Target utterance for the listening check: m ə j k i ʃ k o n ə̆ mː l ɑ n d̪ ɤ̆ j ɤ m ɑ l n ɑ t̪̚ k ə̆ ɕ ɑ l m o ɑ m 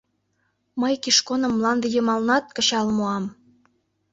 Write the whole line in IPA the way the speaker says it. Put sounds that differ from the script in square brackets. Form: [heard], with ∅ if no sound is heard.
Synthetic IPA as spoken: m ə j k i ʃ k o n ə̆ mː l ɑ n d̪ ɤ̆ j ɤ m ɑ l n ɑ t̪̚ k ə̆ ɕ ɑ l m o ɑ m